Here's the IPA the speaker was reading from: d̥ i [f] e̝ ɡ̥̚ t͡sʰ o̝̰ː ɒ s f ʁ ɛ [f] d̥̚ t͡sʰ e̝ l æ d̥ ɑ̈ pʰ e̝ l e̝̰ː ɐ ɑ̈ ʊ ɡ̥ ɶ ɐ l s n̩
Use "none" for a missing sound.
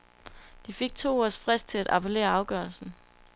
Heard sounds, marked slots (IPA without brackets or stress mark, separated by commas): f, s